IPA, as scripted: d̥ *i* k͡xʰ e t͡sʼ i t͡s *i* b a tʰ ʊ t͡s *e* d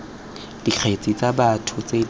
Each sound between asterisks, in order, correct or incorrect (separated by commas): correct, incorrect, correct